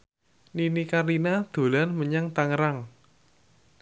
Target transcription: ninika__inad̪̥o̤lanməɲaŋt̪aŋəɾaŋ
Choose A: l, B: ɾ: B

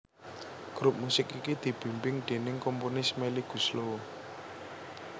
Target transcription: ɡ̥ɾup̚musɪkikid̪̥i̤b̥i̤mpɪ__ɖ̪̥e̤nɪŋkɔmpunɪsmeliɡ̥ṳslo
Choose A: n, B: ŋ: B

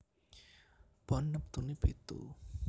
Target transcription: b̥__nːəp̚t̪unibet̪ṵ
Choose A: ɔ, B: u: A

